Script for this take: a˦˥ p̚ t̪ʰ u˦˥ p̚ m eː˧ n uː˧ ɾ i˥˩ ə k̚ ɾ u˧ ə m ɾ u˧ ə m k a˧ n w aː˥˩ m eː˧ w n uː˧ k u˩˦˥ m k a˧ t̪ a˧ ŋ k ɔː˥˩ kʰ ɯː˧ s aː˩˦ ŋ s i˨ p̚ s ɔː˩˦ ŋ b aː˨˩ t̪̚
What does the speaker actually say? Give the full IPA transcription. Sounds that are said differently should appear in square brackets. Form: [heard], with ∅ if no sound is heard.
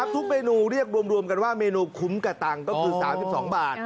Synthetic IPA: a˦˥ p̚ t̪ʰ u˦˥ [k̚] m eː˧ n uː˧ ɾ i˥˩ ə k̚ ɾ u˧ ə m ɾ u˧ ə m k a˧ n w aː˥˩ m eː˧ [∅] n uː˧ [kʰ] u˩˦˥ m k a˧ t̪ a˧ ŋ k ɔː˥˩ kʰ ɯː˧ s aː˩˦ [m] s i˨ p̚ s ɔː˩˦ ŋ b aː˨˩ t̪̚